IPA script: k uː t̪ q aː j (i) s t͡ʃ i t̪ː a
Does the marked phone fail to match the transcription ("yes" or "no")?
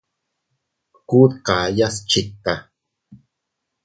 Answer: yes